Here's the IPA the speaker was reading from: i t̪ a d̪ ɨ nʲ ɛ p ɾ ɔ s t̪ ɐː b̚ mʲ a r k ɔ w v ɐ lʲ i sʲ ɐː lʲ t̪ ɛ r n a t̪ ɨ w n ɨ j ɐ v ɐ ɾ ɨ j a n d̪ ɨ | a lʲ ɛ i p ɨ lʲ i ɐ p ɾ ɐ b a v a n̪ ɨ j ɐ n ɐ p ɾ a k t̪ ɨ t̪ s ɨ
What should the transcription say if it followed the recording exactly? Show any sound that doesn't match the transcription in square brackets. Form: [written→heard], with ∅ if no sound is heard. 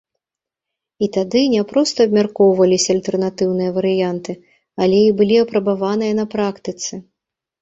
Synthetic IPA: i t̪ a d̪ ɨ nʲ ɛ p ɾ ɔ s t̪ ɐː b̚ mʲ a r k ɔ w v ɐ lʲ i sʲ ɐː lʲ t̪ ɛ r n a t̪ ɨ w n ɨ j ɐ v ɐ ɾ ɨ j a n [d̪→t̪] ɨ | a lʲ ɛ i [p→b] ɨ lʲ i ɐ p ɾ ɐ b a v a n̪ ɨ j ɐ n ɐ p ɾ a k t̪ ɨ t̪ s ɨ